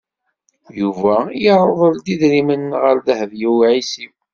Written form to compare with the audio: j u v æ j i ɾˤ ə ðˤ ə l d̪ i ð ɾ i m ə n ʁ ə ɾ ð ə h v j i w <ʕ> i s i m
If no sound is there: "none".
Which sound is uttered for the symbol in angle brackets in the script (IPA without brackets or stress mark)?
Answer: ʕ